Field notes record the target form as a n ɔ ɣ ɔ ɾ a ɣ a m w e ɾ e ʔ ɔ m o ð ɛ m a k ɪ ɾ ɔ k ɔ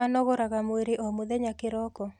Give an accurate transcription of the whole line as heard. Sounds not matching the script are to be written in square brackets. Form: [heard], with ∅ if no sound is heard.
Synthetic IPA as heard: a n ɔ ɣ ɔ ɾ a ɣ a m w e ɾ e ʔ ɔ m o ð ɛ [ɲ] a k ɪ ɾ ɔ k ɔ